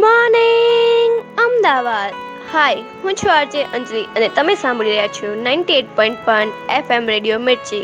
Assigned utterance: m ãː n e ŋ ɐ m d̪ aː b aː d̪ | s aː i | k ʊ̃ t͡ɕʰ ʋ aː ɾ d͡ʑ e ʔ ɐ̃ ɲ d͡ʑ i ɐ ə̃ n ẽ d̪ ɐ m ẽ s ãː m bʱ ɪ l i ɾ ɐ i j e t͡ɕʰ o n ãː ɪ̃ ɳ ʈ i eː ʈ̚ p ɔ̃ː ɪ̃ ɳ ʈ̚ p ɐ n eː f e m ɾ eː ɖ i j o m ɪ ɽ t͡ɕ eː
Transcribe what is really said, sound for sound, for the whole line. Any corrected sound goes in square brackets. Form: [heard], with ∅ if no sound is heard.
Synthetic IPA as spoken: m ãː n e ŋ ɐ m d̪ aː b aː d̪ | [h] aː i | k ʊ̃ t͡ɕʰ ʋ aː ɾ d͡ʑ e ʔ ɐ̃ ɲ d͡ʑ i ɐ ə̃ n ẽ [t̪] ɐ m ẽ s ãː m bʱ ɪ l i ɾ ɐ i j [a] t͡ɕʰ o n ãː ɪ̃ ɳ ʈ i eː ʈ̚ p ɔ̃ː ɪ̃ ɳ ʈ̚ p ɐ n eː f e m ɾ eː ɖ i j o m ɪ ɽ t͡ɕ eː